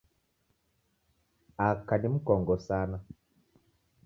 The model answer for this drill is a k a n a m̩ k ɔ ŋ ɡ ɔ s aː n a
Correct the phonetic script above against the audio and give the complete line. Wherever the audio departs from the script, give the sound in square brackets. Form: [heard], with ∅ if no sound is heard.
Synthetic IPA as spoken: a k a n [i] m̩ k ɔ ŋ ɡ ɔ s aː n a